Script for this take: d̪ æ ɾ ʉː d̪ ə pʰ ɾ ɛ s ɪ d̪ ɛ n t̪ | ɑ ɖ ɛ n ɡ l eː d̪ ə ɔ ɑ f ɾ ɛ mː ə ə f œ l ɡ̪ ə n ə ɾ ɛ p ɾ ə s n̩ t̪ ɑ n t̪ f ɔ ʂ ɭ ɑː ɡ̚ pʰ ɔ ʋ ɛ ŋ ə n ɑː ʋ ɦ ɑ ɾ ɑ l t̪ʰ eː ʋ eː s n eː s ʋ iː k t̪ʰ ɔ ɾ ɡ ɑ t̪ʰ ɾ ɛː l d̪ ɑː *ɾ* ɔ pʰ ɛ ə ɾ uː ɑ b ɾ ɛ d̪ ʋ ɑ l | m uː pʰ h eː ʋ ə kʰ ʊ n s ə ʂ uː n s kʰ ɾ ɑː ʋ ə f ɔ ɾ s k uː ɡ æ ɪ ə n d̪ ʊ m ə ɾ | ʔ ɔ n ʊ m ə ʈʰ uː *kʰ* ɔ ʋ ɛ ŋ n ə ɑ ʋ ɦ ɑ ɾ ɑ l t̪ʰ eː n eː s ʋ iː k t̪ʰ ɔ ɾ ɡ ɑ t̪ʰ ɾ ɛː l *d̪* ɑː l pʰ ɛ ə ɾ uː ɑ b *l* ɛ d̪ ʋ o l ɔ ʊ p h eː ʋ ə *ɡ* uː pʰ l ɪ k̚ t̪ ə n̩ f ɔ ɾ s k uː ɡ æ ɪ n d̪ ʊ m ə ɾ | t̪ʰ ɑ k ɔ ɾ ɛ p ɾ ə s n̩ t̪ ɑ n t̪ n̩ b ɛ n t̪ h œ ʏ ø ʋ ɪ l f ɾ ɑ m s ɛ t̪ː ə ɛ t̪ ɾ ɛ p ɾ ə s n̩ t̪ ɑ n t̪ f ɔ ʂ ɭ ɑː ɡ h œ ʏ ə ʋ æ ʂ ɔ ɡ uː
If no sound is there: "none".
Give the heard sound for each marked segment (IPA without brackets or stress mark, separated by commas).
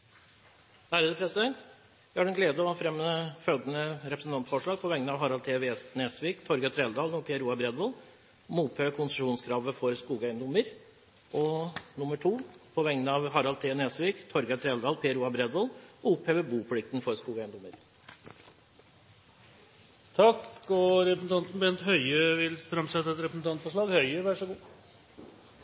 l, pʰ, d̪, ɾ, b